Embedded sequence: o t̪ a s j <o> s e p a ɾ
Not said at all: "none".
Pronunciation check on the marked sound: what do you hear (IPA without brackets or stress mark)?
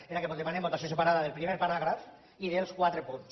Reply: o